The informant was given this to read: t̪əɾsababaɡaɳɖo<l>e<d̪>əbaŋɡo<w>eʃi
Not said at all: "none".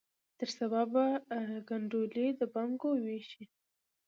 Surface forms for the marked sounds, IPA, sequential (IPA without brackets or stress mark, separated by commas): l, d̪, w